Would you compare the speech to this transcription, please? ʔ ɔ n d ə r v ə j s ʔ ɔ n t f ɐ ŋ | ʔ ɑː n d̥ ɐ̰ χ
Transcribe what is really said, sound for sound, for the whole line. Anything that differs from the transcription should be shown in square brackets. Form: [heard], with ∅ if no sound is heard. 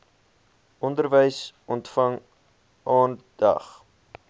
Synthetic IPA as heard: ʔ ɔ n d ə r v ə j s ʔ ɔ n t f ɐ ŋ | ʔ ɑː n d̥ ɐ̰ χ